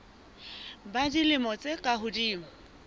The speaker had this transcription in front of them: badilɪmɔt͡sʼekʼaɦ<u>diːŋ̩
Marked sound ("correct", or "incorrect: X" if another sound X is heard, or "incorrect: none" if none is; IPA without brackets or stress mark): incorrect: ʊ